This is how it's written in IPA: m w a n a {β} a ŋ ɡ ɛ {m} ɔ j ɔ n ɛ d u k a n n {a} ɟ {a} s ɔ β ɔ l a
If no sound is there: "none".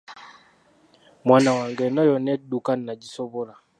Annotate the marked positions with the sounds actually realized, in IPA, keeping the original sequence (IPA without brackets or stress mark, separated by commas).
w, n, a, i